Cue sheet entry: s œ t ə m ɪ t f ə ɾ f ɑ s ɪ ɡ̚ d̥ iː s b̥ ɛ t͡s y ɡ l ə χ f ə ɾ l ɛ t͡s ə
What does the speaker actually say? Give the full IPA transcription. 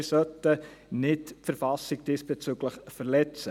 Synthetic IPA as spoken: s œ t ə n ɪ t f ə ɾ f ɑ s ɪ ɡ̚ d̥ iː s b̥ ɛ t͡s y ɡ l ə χ f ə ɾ l ɛ t͡s ə